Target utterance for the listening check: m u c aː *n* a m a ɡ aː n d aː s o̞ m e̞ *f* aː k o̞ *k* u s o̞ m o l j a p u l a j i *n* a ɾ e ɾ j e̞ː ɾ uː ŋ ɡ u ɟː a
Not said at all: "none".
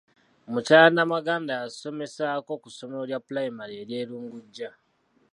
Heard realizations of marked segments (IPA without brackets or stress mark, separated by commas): n, s, k, m